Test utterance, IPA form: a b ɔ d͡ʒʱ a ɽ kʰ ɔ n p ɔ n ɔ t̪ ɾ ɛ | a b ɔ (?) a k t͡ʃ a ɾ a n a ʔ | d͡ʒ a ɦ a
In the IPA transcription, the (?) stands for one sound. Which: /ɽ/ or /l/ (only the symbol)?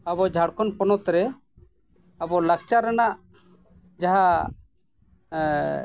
l